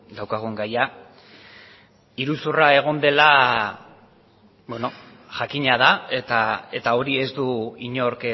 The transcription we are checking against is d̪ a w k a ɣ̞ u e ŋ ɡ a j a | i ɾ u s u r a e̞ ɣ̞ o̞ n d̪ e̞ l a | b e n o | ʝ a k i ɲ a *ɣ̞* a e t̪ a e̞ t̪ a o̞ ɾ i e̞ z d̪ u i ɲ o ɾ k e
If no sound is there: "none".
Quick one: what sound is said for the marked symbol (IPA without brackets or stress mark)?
ð̞